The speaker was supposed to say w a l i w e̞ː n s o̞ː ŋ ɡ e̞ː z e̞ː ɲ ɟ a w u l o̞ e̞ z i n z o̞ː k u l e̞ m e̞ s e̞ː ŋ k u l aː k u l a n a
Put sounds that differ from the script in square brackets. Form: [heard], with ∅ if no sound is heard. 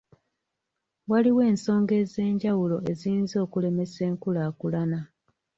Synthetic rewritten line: w a l i w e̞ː n s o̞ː ŋ ɡ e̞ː z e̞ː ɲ ɟ a w u l o̞ e̞ z i n z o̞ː k u l e̞ m e̞ s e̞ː ŋ k u l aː k u l a n a